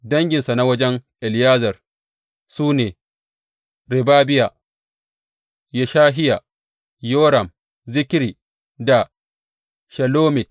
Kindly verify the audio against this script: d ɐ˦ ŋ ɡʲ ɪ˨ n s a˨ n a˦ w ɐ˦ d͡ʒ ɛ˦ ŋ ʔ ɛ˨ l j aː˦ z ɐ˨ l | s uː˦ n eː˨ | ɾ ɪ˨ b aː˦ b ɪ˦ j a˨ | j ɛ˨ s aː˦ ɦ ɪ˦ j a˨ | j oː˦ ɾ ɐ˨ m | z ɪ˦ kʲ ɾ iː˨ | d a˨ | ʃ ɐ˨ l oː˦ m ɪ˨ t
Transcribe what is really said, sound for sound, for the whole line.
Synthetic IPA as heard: d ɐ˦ ŋ ɡʲ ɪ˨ n s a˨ n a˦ w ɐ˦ d͡ʒ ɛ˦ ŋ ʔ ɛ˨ l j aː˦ z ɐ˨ r | s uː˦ n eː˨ | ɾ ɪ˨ b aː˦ b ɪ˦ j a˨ | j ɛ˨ ʃ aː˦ ɦ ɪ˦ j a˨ | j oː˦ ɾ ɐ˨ m | z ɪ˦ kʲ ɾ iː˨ | d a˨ | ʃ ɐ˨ l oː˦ m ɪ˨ t